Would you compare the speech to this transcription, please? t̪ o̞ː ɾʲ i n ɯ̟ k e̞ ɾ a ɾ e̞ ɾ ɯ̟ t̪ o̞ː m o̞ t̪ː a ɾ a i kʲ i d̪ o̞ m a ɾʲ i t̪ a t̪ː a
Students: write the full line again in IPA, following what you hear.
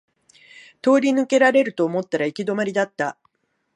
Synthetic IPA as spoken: t̪ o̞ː ɾʲ i n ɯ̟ k e̞ ɾ a ɾ e̞ ɾ ɯ̟ t̪ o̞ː m o̞ t̪ː a ɾ a i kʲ i d̪ o̞ m a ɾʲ i d̪ a t̪ː a